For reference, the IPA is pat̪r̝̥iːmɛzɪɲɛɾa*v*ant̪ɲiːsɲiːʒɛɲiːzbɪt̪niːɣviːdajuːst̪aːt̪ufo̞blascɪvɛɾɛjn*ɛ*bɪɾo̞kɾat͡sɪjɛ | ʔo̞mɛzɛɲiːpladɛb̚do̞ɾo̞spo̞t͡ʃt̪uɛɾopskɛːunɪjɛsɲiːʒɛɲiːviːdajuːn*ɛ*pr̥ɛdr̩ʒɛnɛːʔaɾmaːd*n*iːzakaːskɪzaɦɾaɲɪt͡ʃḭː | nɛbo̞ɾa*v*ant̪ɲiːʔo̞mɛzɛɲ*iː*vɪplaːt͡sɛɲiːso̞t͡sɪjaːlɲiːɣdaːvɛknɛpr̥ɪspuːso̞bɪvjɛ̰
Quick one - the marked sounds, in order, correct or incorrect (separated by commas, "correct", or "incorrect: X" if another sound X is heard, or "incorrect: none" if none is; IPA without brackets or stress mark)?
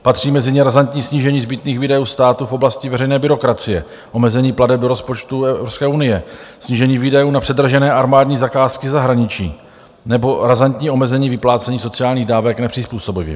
incorrect: z, incorrect: ɛː, incorrect: a, incorrect: ɲ, incorrect: z, correct